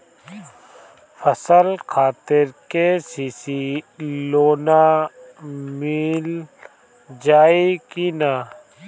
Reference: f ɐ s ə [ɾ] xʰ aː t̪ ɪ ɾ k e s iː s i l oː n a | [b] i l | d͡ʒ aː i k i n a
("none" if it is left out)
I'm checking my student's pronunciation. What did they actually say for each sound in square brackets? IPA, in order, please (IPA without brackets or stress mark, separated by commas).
l, m